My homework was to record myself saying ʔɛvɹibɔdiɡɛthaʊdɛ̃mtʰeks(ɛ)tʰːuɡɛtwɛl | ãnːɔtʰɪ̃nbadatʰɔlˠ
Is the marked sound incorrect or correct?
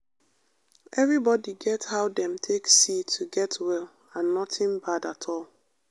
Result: incorrect: i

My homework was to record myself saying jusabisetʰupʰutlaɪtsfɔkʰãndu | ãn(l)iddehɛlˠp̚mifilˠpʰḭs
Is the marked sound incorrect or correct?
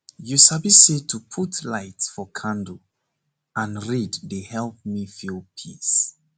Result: incorrect: ɹ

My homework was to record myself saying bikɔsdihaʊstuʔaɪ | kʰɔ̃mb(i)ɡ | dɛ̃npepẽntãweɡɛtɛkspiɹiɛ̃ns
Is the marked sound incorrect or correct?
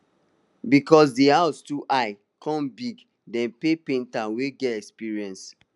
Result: correct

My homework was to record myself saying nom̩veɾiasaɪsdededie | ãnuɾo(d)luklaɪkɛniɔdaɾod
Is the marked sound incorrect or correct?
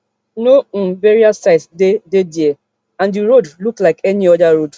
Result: correct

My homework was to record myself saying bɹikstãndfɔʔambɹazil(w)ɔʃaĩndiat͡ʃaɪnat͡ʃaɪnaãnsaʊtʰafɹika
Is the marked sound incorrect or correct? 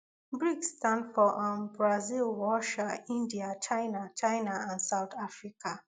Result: correct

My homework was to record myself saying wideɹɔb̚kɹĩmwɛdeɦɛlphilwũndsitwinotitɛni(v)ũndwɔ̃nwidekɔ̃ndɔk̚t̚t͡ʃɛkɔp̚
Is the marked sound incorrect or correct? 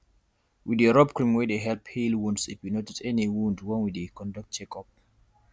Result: incorrect: w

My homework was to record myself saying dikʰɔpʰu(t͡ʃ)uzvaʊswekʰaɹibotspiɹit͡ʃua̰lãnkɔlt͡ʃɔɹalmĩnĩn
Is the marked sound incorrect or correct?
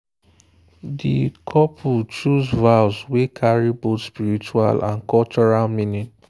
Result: correct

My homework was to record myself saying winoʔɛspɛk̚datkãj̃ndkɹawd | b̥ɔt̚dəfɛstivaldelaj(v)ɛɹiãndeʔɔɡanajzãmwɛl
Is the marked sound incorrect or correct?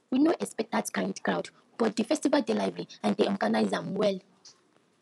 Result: correct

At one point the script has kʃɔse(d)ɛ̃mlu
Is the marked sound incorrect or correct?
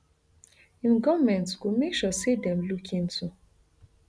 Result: correct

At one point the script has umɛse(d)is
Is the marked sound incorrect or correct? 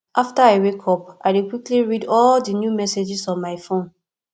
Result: incorrect: d͡ʒ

